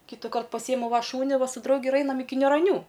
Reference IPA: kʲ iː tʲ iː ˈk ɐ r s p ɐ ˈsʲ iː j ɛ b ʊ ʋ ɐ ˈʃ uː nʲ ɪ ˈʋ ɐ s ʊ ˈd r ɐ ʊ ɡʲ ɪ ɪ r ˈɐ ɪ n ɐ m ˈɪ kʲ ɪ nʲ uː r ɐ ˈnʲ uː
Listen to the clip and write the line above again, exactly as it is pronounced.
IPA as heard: kʲ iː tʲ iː ˈk ɐ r t p ɐ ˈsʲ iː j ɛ m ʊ ʋ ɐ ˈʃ uː nʲ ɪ ˈʋ ɐ s ʊ ˈd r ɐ ʊ ɡʲ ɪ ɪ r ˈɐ ɪ n ɐ m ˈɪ kʲ ɪ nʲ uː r ɐ ˈnʲ uː